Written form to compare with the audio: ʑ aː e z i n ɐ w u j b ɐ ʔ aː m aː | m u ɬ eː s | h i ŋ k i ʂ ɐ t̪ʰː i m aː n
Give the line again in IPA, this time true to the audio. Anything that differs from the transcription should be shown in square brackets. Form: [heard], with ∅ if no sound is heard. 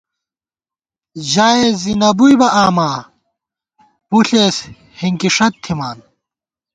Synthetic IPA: ʑ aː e z i n ɐ [b] u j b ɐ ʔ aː m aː | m u ɬ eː s | h i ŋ k i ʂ ɐ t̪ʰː i m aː n

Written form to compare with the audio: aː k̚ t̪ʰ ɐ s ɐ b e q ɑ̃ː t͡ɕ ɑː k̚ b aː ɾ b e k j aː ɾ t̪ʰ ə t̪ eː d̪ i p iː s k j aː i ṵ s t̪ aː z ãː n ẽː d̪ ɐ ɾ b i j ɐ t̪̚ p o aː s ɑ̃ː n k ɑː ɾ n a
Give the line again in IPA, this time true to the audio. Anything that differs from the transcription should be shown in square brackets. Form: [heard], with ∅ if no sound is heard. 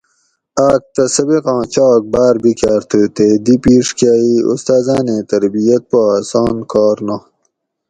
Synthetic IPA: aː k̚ [t̪] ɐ s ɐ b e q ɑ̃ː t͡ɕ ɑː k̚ b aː ɾ b [i] k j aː ɾ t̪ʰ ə t̪ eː d̪ i p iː [ʂ] k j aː i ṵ s t̪ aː z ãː n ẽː [t̪] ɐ ɾ b i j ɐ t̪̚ p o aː s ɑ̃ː n k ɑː ɾ n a

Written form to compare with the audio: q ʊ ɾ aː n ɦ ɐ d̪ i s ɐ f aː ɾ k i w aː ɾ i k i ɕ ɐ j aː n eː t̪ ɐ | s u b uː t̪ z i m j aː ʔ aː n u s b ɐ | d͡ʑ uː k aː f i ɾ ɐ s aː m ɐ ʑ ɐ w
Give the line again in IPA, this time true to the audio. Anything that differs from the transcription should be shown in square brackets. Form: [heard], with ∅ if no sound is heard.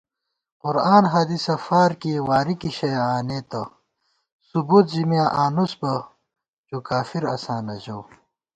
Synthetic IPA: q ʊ ɾ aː n ɦ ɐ d̪ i s ɐ f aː ɾ k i w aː ɾ i k i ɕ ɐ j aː n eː t̪ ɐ | s u b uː t̪ z i m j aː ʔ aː n u s b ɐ | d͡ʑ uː k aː f i ɾ ɐ s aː [n] ɐ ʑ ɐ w

